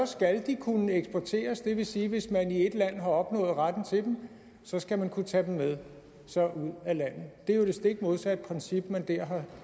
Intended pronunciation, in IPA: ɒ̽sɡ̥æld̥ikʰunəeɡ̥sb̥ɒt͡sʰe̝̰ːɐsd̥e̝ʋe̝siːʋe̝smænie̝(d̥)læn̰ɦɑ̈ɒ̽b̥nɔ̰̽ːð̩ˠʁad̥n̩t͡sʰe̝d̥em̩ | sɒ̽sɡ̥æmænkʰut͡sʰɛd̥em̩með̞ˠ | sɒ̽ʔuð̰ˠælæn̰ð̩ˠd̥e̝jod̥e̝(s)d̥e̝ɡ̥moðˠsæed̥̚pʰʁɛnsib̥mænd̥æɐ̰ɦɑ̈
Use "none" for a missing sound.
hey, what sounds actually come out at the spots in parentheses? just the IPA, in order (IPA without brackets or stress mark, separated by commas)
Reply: d̥, s